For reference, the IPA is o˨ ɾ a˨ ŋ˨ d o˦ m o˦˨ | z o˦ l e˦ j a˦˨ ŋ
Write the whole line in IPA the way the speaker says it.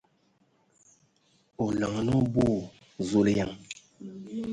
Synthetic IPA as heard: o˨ l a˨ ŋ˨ n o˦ b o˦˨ | z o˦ l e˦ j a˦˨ ŋ

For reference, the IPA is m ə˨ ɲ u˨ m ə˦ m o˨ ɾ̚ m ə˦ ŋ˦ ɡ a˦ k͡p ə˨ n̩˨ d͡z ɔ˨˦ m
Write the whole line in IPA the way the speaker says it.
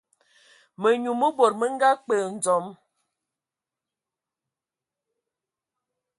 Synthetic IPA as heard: m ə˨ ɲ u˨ m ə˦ b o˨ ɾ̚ m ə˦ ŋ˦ ɡ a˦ k͡p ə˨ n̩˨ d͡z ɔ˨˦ m

